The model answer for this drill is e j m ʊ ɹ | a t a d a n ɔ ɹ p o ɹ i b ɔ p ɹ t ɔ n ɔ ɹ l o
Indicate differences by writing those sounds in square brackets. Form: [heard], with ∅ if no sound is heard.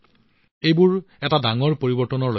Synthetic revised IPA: e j [b] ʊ ɹ | [ɛ] t a d a [ŋ] ɔ ɹ p o ɹ i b ɔ [∅] ɹ t ɔ n ɔ ɹ l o